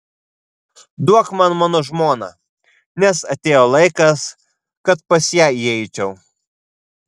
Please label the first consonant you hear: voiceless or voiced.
voiced